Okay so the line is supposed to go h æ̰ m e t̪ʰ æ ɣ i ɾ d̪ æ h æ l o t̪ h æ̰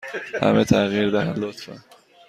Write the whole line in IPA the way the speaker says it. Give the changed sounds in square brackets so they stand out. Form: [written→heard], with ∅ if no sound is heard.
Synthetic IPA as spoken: h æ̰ m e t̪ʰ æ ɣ i ɾ d̪ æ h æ l o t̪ [h→f] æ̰